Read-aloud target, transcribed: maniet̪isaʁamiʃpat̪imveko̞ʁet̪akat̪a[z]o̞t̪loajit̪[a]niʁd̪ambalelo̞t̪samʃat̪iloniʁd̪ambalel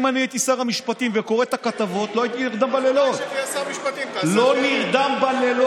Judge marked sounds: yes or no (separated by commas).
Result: no, no